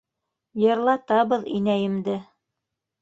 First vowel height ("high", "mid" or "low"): mid